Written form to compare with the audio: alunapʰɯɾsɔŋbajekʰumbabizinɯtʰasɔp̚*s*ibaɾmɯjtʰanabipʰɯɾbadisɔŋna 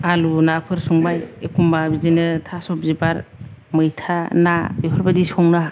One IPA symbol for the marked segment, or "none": z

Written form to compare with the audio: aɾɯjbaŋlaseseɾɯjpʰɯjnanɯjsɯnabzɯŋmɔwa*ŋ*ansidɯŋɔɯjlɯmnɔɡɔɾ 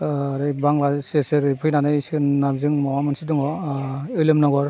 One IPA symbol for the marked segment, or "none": m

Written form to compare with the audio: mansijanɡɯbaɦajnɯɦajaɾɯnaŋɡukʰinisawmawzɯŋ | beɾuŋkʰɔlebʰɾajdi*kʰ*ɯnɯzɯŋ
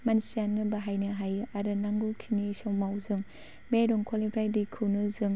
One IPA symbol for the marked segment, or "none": kʰ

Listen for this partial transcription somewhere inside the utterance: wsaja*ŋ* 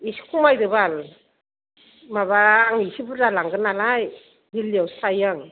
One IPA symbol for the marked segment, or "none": ŋ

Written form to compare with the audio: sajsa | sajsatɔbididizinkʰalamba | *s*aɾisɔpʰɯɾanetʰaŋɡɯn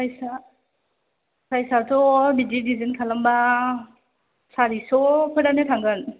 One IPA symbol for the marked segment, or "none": s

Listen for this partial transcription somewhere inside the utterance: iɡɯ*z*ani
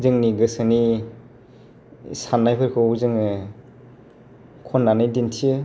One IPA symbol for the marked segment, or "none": s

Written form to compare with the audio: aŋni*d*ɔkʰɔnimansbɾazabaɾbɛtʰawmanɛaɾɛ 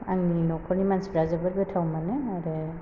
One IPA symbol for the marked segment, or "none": n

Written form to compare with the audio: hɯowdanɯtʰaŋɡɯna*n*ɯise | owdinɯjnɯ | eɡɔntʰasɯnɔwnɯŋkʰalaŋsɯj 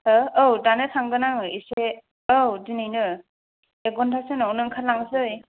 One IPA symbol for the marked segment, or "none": ŋ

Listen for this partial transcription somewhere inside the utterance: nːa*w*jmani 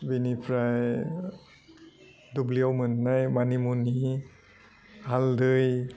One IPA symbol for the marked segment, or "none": none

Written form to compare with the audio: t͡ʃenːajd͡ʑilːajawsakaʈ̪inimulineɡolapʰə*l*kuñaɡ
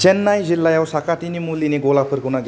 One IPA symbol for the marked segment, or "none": ɾ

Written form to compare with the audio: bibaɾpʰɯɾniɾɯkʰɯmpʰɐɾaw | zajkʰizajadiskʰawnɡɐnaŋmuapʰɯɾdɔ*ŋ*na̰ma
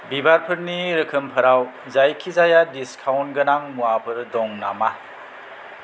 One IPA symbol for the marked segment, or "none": ŋ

